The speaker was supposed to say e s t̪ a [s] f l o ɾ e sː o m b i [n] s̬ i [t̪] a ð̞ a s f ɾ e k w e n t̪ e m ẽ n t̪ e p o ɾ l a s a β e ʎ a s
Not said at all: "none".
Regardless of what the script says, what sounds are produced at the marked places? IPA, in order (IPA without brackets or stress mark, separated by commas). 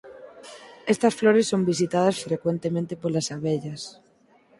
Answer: s, none, t̪